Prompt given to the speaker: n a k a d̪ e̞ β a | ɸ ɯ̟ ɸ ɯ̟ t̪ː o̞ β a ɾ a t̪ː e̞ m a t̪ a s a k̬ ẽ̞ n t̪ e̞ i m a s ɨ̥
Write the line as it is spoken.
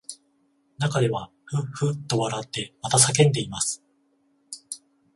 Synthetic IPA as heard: n a k a d̪ e̞ β a | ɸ ɯ̟ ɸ ɯ̟ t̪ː o̞ β a ɾ a t̪ː e̞ m a t̪ a s a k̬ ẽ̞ n d̪ e̞ i m a s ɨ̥